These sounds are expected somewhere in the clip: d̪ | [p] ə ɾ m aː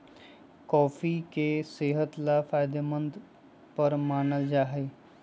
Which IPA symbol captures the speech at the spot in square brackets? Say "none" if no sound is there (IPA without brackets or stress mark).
p